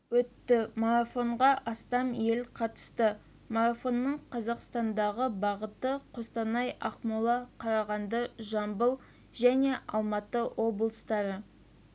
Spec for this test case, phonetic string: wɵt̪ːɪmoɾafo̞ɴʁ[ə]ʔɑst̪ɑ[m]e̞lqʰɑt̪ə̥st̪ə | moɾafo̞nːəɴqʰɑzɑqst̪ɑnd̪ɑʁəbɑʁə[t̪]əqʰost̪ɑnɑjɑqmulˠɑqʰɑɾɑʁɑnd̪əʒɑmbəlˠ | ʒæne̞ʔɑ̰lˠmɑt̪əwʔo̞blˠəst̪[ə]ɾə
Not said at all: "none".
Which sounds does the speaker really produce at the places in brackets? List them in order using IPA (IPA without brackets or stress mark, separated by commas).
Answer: ɑ, m, t̪, ɑ